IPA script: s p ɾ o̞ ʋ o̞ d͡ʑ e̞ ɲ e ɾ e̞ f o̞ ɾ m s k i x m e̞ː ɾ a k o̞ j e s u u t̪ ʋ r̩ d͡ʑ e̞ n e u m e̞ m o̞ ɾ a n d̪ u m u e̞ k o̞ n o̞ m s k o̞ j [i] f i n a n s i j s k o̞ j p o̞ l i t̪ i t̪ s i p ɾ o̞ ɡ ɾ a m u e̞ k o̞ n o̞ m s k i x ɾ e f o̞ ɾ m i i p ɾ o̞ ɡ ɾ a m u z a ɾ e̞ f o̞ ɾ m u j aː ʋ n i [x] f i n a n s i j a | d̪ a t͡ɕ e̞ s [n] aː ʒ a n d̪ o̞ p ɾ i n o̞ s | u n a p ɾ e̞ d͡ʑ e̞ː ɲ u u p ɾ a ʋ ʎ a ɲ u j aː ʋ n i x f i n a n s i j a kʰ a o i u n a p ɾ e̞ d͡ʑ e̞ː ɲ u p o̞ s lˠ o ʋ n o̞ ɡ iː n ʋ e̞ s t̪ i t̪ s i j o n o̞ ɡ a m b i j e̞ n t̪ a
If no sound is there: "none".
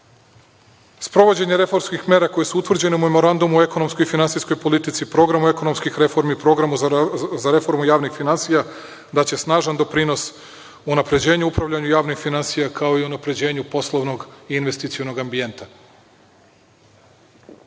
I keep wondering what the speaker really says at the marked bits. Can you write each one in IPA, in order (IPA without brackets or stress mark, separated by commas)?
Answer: i, x, n